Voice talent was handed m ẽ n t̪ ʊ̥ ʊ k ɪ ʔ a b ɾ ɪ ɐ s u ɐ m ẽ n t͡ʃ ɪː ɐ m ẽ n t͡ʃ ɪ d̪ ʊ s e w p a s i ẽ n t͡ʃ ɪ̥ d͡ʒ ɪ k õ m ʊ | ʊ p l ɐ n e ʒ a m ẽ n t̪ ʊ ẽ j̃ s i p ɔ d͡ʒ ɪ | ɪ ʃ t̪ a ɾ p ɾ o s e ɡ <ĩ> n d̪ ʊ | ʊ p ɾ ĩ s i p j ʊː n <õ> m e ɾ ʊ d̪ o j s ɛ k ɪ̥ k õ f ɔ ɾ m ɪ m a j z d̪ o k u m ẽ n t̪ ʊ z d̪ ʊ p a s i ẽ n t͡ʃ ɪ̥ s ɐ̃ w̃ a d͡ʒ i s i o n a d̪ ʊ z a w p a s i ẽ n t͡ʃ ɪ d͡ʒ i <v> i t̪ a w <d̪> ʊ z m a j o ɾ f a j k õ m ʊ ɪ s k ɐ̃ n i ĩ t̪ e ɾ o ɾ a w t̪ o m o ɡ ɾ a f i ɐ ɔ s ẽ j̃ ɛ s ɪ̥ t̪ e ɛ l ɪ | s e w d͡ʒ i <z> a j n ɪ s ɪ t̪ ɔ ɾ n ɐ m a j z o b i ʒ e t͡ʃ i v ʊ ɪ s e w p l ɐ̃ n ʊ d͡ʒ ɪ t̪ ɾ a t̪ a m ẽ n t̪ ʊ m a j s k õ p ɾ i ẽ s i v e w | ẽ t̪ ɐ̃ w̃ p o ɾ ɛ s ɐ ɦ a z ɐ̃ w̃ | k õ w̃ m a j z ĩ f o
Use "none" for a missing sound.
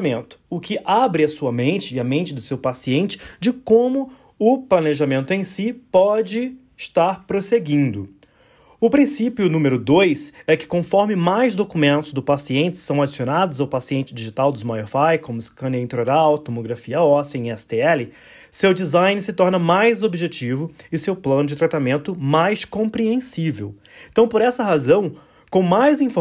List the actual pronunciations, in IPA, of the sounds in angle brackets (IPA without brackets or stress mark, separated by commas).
ĩ, ũ, ʒ, d̪, z